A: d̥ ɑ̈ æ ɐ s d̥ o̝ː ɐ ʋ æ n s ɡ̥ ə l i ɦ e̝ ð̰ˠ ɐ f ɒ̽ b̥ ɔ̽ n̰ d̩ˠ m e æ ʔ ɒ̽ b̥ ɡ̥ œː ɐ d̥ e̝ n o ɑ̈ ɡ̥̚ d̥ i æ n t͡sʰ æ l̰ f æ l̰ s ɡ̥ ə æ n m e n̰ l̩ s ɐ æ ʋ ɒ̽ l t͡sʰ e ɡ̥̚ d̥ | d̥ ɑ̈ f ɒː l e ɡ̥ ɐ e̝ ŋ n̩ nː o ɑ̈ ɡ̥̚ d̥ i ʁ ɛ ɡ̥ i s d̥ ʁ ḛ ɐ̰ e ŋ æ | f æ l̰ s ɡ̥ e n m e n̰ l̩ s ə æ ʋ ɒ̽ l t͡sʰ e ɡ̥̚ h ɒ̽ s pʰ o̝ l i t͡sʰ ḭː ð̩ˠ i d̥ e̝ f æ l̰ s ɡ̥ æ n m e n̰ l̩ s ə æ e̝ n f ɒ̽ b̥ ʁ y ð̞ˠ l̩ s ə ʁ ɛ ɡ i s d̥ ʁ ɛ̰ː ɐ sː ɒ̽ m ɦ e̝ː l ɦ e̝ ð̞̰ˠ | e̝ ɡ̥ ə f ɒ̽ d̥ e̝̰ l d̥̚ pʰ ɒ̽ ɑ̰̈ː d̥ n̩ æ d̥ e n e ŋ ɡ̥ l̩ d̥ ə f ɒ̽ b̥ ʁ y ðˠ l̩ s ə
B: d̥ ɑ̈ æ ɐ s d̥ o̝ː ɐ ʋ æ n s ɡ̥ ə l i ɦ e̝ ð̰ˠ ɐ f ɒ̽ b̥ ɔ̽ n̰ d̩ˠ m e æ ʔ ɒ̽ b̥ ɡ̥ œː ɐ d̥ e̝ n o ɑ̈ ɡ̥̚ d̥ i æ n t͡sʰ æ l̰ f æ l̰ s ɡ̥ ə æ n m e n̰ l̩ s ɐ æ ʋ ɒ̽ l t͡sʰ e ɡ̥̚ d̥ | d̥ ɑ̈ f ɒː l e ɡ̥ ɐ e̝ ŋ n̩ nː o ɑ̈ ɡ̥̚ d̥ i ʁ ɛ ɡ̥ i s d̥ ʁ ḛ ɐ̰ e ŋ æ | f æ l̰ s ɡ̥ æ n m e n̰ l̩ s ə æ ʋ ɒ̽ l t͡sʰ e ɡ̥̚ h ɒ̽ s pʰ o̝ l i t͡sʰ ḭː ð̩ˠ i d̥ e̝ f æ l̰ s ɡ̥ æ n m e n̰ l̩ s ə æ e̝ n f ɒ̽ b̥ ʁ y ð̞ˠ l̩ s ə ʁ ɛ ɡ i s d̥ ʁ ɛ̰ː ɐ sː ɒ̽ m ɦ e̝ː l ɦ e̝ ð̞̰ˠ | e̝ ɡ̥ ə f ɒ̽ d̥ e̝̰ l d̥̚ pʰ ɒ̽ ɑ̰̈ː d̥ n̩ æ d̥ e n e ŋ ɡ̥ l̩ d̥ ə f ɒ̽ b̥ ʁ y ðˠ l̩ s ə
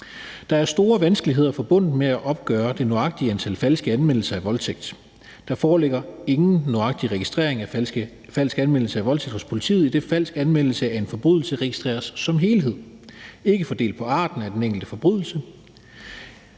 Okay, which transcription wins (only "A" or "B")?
B